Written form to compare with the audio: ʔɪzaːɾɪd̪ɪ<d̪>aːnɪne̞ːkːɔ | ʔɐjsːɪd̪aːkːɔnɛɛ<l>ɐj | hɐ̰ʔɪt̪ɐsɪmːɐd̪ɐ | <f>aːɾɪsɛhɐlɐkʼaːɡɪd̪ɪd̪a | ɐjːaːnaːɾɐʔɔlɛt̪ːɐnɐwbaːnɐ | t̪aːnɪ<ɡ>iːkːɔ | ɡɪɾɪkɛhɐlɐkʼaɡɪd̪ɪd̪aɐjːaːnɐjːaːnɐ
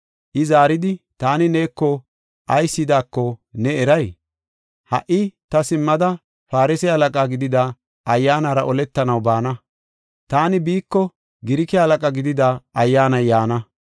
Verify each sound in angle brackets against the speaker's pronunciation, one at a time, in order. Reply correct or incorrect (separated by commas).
incorrect, incorrect, correct, incorrect